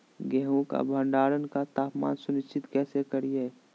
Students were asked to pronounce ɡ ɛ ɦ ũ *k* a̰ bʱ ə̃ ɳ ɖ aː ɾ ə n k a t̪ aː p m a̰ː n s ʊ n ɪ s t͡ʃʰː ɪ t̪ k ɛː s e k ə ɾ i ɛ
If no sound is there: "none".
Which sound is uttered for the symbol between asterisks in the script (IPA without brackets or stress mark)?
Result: k